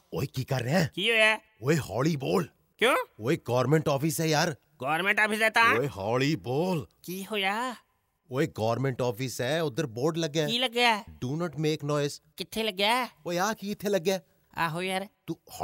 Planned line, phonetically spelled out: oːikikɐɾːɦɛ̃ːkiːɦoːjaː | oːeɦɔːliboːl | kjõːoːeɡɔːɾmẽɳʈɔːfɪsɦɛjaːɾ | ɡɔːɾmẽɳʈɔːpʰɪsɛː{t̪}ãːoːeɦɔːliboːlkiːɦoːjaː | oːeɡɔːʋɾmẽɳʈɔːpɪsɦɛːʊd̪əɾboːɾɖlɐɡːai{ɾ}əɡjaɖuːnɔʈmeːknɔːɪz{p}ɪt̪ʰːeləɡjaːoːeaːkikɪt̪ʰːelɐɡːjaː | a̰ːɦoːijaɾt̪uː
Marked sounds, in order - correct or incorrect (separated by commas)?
correct, incorrect, incorrect